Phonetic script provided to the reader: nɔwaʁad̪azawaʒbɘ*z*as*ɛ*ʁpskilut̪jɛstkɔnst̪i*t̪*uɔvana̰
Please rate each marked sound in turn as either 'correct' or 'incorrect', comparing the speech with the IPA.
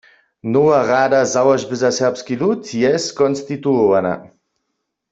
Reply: correct, correct, correct

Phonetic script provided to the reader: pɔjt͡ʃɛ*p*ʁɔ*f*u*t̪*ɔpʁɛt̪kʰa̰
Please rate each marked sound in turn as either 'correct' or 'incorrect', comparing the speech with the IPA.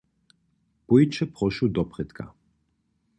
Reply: correct, incorrect: ʃ, incorrect: d̪

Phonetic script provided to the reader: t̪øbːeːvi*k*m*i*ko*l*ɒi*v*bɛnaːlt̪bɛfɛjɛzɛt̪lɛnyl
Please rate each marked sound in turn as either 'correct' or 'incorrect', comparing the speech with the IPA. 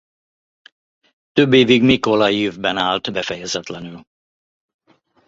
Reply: incorrect: ɡ, correct, correct, correct

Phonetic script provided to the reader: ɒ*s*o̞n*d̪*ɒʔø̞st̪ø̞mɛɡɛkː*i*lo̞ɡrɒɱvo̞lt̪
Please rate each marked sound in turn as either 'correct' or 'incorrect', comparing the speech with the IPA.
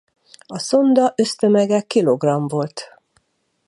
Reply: correct, correct, correct

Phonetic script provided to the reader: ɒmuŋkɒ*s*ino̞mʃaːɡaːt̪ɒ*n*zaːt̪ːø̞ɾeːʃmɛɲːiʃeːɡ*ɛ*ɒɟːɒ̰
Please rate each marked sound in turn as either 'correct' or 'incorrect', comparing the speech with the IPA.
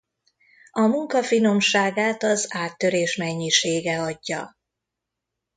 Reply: incorrect: f, incorrect: none, correct

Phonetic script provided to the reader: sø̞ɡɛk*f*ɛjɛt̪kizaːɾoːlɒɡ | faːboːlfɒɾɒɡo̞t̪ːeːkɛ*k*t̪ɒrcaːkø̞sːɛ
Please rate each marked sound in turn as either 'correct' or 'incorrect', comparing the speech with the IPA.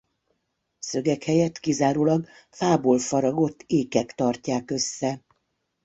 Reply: incorrect: h, correct

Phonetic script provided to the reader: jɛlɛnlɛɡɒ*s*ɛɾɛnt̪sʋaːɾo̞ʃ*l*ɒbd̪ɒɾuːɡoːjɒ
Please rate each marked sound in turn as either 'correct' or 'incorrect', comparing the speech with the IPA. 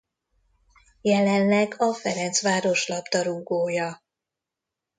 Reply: incorrect: f, correct

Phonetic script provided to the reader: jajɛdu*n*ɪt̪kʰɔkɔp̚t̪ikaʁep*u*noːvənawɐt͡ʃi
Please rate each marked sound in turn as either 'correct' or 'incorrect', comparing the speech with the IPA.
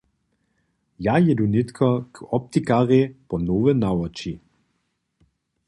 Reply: correct, incorrect: ɔ

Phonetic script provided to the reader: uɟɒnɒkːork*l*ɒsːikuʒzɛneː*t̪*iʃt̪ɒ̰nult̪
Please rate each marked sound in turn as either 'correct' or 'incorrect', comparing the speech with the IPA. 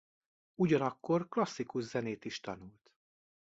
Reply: correct, correct

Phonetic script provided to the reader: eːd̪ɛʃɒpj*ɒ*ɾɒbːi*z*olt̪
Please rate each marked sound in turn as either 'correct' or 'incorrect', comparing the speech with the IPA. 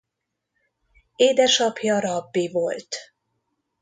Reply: correct, incorrect: v

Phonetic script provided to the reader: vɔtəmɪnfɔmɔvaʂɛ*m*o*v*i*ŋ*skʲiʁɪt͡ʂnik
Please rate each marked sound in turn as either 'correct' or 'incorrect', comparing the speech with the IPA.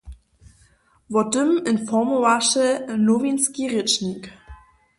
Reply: incorrect: n, correct, incorrect: n

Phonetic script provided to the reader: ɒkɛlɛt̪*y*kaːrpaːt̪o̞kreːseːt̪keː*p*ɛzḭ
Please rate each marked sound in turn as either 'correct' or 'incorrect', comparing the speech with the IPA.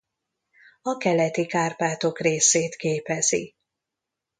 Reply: incorrect: i, correct

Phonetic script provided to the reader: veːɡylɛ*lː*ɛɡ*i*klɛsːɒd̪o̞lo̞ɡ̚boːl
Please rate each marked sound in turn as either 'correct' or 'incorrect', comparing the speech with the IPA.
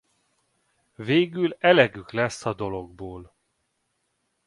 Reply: incorrect: l, incorrect: y

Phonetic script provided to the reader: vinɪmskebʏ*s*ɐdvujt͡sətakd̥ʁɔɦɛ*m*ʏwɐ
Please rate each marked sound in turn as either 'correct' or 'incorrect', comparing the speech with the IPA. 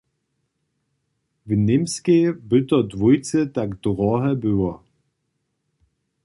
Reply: incorrect: t, incorrect: b

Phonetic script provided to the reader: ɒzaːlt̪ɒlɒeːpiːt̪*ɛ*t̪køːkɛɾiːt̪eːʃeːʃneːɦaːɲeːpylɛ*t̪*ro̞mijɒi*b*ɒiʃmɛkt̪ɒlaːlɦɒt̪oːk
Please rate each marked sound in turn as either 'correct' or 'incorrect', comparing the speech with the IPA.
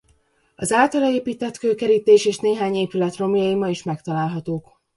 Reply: correct, correct, incorrect: m

